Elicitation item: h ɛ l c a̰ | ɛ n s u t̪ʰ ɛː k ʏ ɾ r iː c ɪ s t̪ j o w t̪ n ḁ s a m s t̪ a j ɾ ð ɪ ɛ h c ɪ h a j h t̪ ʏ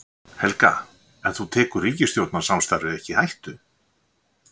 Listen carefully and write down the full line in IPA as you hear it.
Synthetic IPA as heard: h ɛ l k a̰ | ɛ n θ u t̪ʰ ɛː k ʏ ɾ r iː c ɪ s t̪ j o w t̪ n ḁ s a m s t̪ a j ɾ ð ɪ ɛ h c ɪ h a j h t̪ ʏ